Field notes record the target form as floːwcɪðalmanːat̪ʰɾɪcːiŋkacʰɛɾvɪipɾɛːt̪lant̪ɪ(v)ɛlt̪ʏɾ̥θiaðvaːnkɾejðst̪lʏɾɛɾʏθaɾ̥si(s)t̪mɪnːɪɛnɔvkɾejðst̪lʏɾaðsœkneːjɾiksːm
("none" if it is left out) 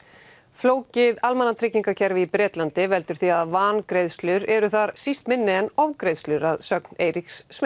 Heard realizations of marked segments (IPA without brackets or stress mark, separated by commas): v, s